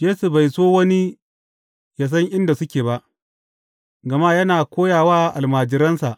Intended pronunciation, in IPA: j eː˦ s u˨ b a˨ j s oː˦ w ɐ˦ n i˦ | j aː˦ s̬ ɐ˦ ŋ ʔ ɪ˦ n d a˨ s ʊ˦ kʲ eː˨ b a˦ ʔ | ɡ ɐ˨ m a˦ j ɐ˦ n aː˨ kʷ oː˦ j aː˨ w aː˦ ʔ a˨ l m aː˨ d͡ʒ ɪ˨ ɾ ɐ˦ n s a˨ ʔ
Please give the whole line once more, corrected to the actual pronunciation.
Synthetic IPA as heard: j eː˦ s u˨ b a˨ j s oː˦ w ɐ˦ n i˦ | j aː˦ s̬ ɐ˦ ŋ ʔ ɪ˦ n d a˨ s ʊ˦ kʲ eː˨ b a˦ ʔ | ɡ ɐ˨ m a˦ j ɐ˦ n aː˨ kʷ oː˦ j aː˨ w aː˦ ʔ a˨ l m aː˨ d͡ʒ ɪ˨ ɾ ɐ˦ n s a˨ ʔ